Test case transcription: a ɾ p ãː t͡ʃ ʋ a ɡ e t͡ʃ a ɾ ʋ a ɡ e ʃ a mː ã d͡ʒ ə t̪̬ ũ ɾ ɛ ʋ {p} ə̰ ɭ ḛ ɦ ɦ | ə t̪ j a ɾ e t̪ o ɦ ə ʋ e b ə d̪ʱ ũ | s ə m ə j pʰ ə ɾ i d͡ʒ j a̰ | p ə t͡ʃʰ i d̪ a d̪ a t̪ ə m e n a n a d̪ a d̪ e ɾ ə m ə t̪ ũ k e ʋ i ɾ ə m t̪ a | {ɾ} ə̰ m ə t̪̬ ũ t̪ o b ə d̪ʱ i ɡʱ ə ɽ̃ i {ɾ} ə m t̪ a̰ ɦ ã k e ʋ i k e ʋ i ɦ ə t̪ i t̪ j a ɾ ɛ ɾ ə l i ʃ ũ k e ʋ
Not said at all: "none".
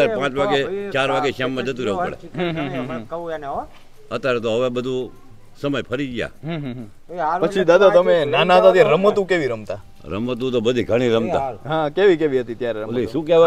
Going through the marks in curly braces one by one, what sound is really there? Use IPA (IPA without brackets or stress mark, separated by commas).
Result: p, ɾ, ɾ